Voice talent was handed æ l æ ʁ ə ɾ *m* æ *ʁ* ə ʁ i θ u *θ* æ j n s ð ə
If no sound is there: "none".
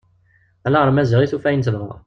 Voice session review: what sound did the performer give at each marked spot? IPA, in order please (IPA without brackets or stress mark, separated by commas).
m, z, f